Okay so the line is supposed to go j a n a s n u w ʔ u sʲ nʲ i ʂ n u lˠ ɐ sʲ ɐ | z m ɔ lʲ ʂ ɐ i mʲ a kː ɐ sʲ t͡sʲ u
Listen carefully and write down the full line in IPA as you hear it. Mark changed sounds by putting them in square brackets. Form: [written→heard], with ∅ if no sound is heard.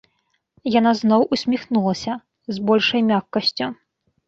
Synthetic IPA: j a n a [s→z] n [u→ɔ] w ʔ u sʲ [nʲ→mʲ] i [ʂ→x] n u lˠ ɐ sʲ ɐ | z [m→b] ɔ lʲ ʂ ɐ [i→j] mʲ a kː ɐ sʲ t͡sʲ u